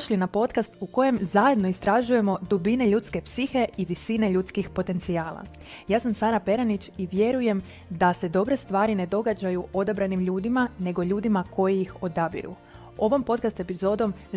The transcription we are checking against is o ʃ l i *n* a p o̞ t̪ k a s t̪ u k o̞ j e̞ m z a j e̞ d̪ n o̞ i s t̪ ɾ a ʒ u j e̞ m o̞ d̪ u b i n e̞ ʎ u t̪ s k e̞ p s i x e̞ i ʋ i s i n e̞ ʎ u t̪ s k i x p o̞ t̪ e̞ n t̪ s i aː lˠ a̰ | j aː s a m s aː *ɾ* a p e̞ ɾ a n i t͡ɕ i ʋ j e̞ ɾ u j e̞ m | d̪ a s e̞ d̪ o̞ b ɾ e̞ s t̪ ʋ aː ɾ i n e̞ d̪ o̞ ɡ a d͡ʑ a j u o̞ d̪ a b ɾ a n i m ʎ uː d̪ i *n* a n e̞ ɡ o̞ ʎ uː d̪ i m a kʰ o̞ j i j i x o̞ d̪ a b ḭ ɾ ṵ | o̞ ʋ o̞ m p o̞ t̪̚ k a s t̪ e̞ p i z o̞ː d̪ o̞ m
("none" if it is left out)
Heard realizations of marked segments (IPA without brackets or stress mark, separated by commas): n, ɾ, m